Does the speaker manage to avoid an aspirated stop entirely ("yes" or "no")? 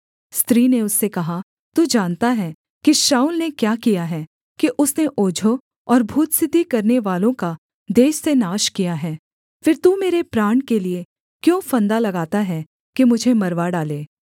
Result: yes